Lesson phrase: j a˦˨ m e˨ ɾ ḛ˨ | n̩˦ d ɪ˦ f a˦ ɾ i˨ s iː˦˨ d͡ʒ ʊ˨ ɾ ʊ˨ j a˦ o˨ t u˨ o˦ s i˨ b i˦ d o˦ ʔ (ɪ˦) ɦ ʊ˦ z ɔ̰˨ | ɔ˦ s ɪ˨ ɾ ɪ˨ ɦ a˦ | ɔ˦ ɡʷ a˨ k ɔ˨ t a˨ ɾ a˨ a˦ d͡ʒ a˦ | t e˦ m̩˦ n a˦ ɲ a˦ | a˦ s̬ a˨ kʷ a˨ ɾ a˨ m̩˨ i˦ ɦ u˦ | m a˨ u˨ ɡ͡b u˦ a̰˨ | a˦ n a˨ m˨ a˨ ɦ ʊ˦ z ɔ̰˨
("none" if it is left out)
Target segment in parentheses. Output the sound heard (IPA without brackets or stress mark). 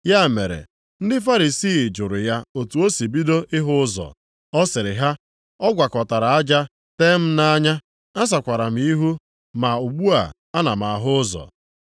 ɪ˦